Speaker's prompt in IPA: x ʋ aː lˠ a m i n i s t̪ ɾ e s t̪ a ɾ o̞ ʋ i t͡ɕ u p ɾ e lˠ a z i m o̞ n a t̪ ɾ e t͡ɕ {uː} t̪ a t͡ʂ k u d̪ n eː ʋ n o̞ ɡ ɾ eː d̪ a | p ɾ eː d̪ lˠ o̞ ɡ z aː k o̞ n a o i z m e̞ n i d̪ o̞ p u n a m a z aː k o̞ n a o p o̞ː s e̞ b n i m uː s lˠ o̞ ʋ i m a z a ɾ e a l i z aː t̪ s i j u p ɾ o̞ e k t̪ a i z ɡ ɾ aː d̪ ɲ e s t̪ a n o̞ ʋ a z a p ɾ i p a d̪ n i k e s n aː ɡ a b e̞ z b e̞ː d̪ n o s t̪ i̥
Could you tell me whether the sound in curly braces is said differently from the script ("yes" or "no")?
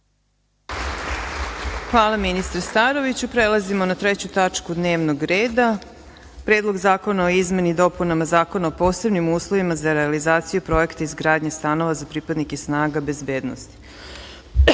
yes